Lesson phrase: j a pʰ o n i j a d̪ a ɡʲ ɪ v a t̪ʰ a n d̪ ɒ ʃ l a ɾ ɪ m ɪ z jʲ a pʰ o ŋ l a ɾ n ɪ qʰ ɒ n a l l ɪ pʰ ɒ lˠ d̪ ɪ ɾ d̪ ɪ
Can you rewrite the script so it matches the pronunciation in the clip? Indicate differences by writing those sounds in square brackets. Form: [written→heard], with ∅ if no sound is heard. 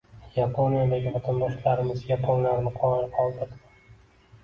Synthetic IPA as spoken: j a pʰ o n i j a d̪ a ɡʲ ɪ v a t̪ʰ a n d̪ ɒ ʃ l a ɾ ɪ m ɪ z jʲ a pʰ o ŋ l a ɾ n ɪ qʰ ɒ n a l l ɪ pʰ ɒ lˠ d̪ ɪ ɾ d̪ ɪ